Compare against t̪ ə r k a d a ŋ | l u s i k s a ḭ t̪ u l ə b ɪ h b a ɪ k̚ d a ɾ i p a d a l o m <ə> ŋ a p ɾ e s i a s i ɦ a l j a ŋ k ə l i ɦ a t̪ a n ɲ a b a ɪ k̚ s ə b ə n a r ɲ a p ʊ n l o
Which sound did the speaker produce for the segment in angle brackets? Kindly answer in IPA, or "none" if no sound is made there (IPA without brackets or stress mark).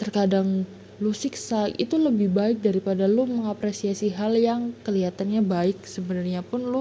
ə